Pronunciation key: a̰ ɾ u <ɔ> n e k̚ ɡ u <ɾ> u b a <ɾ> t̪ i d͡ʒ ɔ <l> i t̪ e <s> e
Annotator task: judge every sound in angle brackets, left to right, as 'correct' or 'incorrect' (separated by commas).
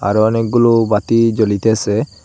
correct, incorrect, incorrect, correct, correct